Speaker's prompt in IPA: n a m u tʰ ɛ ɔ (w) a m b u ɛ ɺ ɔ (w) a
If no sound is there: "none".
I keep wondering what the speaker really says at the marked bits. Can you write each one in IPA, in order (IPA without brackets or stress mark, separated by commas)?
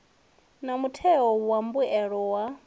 w, w